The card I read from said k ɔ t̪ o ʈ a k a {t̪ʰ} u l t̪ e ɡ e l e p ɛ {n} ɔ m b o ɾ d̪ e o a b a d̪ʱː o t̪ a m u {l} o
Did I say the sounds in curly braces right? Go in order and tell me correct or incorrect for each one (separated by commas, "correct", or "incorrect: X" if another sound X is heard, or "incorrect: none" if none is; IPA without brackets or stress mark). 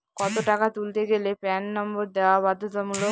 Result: incorrect: t̪, incorrect: nː, correct